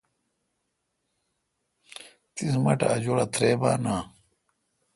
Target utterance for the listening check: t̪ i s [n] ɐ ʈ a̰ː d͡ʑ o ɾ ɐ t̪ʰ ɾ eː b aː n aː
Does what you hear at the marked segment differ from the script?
yes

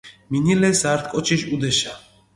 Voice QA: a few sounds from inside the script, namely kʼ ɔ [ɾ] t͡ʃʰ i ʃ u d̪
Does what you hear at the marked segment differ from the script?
yes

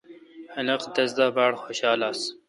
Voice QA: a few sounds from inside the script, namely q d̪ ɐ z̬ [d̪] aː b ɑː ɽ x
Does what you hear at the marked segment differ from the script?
no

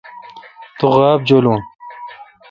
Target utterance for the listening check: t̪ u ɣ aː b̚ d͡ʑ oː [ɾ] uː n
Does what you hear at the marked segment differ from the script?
yes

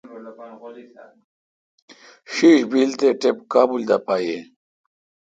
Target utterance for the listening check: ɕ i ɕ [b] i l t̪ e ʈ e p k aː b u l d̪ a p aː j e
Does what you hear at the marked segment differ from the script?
no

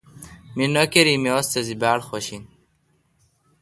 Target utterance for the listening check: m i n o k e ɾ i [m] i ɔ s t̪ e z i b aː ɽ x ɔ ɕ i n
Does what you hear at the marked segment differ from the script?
no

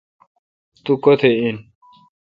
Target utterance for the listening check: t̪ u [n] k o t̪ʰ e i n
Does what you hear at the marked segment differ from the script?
yes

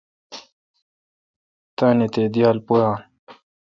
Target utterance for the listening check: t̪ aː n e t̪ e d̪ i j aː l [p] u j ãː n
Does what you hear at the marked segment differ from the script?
no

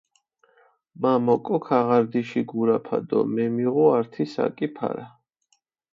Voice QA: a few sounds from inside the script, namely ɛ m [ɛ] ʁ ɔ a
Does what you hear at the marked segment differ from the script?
yes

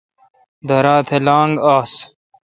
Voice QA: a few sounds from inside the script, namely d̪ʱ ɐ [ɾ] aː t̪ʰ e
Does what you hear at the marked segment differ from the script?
no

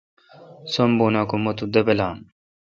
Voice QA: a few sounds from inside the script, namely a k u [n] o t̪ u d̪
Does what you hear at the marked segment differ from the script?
yes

